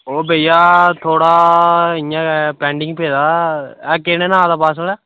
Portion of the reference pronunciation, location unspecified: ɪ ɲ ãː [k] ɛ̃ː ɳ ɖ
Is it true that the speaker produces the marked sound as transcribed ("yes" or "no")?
no